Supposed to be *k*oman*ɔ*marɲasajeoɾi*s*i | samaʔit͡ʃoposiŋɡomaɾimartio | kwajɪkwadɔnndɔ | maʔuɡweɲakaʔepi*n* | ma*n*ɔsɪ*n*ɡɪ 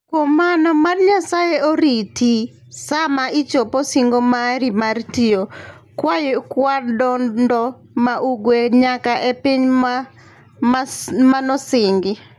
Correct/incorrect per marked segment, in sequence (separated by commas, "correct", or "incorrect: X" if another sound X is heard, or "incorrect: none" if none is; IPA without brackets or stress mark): correct, correct, incorrect: t, incorrect: ɲ, correct, incorrect: ŋ